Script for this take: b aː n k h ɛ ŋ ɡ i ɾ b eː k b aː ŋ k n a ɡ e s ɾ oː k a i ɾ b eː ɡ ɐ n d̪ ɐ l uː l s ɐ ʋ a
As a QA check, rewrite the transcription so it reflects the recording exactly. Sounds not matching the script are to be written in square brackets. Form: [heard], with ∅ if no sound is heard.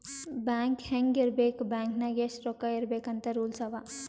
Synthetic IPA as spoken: b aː [ŋ] k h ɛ ŋ ɡ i ɾ b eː k b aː ŋ k n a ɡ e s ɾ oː k a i ɾ b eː [k] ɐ n [t̪] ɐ [ɾ] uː l s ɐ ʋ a